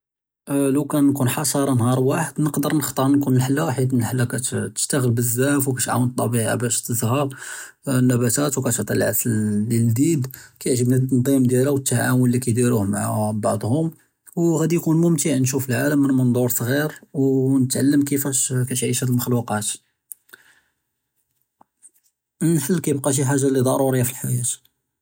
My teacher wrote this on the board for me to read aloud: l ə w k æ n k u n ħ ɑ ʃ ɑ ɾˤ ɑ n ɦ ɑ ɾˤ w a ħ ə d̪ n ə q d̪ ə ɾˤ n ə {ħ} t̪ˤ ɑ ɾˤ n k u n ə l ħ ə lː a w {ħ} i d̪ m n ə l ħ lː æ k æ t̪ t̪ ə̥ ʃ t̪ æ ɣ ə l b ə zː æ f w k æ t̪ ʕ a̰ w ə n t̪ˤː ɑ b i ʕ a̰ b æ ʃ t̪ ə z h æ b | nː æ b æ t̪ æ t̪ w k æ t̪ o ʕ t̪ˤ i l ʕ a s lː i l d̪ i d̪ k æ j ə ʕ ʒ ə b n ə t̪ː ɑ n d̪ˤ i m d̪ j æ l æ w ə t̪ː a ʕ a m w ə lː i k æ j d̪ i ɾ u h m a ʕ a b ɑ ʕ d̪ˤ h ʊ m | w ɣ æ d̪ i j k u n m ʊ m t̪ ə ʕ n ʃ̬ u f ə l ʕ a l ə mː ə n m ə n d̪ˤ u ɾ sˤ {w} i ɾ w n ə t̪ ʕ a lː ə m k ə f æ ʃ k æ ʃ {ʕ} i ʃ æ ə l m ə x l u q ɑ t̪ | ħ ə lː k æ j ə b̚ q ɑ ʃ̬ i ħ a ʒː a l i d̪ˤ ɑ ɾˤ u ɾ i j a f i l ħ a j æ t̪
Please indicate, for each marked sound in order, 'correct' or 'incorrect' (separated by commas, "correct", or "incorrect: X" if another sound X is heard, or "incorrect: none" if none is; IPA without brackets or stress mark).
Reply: incorrect: x, correct, incorrect: ɣ, correct